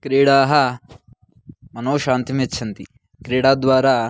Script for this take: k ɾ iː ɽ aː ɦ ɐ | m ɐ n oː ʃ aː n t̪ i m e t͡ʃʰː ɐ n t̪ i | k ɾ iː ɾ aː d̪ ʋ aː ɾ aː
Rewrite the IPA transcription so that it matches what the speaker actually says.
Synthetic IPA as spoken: k ɾ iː ɽ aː ɦ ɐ | m ɐ n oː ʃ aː n t̪ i m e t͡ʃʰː ɐ n t̪ i | k ɾ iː ɽ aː d̪ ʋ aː ɾ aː